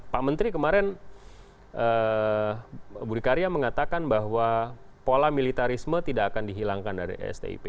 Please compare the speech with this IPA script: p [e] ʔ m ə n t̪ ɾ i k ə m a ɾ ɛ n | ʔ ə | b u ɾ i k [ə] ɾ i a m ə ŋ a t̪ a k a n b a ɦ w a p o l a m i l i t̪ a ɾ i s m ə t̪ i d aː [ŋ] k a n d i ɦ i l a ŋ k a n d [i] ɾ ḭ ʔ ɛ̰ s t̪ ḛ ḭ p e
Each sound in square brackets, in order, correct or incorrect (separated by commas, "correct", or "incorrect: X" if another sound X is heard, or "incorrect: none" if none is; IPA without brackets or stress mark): incorrect: a, incorrect: a, incorrect: none, incorrect: a